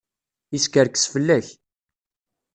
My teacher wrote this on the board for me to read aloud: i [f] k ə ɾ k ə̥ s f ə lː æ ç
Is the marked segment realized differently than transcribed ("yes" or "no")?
yes